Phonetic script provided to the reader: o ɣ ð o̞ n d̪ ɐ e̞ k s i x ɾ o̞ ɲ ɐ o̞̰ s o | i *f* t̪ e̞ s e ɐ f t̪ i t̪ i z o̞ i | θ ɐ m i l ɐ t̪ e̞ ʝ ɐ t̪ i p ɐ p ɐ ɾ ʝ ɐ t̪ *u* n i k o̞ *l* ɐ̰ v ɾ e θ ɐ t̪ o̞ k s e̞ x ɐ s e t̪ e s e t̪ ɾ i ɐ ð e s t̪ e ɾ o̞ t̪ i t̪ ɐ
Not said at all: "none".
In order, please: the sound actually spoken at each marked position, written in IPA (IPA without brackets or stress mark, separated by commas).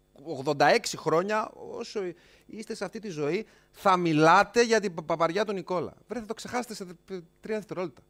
s, u, l